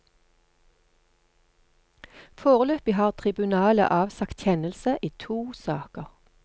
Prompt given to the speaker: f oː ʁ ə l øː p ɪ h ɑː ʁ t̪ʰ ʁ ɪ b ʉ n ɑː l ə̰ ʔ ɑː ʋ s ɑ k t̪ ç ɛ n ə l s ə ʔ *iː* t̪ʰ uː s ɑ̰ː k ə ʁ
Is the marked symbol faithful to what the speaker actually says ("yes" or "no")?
yes